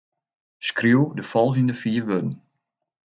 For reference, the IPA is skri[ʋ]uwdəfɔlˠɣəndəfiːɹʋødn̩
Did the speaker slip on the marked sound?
yes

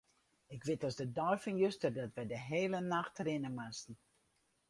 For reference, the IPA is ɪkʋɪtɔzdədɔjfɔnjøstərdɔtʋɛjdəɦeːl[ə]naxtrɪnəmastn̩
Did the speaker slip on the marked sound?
no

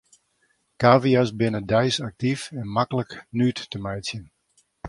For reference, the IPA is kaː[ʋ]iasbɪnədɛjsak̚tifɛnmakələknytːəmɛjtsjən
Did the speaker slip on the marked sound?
yes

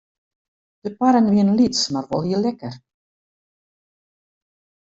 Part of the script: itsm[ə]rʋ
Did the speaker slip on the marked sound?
yes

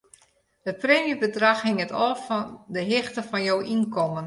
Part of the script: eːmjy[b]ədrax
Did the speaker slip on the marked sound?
no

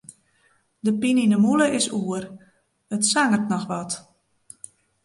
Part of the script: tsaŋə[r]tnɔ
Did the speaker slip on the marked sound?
no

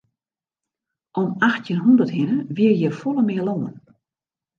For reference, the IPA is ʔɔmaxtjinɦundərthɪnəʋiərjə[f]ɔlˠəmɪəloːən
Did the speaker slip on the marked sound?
no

